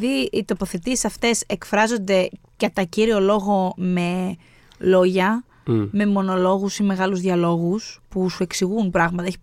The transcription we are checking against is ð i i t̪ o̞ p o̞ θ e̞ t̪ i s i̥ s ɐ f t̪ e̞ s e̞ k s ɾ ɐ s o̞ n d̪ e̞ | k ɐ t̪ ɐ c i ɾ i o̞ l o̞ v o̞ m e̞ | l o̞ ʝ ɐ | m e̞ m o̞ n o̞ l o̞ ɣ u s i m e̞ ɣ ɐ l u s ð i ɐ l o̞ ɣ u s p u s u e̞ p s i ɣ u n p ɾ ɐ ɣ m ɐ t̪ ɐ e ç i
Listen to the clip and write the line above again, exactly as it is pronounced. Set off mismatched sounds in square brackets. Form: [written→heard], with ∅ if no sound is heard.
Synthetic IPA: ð i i t̪ o̞ p o̞ θ e̞ t̪ i s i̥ s ɐ f t̪ e̞ s e̞ k [s→f] ɾ ɐ [s→z] o̞ n d̪ e̞ | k ɐ t̪ ɐ c i ɾ i o̞ l o̞ [v→ɣ] o̞ m e̞ | l o̞ ʝ ɐ | m e̞ m o̞ n o̞ l o̞ ɣ u s i m e̞ ɣ ɐ l u [s→z] ð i ɐ l o̞ ɣ u s p u s u e̞ [p→k] s i ɣ u n p ɾ ɐ ɣ m ɐ t̪ ɐ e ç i